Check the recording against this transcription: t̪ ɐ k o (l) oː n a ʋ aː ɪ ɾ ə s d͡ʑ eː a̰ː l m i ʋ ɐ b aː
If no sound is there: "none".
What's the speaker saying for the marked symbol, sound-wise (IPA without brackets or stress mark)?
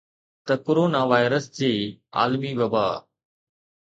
ɾ